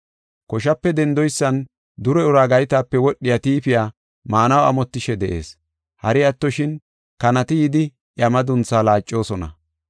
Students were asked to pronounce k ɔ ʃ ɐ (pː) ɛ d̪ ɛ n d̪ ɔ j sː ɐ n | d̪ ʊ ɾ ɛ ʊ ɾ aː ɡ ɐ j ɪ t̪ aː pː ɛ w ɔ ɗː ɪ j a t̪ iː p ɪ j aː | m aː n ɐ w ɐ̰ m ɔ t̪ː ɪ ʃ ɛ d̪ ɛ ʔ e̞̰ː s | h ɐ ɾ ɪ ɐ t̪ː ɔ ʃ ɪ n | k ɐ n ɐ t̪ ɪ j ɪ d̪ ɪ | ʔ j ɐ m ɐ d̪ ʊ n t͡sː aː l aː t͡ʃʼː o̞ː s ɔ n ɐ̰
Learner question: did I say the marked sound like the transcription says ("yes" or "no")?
yes